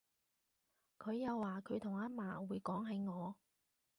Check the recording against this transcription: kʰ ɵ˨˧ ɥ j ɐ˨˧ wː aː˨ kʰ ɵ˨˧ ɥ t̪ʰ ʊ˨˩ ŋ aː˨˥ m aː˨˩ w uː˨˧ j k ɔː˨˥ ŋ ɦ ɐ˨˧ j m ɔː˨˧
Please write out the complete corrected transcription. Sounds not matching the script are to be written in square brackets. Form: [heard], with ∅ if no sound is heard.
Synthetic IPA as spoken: kʰ ɵ˨˧ ɥ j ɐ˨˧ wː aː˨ kʰ ɵ˨˧ ɥ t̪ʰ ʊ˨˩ ŋ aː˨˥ m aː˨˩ w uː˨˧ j k ɔː˨˥ ŋ ɦ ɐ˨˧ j [ŋ] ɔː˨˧